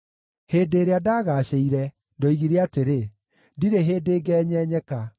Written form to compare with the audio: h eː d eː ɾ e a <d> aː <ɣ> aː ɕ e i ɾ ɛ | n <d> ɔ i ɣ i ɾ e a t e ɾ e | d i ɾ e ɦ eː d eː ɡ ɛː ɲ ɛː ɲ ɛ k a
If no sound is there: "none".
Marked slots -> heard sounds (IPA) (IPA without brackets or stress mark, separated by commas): d, ɣ, d